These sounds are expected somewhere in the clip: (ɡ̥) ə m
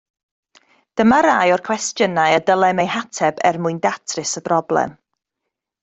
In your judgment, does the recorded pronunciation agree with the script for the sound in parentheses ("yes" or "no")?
no